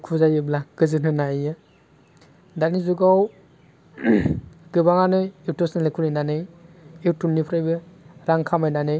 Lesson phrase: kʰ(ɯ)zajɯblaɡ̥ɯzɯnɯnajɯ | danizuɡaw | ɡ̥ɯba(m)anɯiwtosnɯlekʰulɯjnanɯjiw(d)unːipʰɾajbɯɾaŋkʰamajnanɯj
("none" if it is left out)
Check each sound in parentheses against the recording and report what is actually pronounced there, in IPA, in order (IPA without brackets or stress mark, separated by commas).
u, ŋ, t